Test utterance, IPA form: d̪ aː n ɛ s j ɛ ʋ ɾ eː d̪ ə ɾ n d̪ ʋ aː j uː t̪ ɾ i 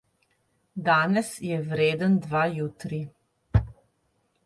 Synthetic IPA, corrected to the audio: d̪ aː n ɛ s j ɛ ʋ ɾ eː d̪ ə n d̪ ʋ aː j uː t̪ ɾ i